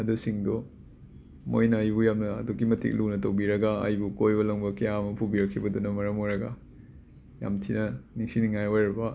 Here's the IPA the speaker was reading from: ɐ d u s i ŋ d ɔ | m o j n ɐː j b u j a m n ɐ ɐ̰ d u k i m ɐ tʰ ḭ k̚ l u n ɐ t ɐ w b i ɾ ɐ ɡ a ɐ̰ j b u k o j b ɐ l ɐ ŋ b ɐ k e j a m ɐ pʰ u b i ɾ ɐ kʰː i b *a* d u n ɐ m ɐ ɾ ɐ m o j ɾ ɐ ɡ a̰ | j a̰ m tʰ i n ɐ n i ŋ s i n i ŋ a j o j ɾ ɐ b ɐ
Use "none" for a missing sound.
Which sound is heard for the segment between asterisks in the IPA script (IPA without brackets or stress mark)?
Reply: ɐ